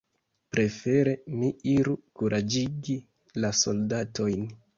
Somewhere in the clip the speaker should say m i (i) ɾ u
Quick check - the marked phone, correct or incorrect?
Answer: correct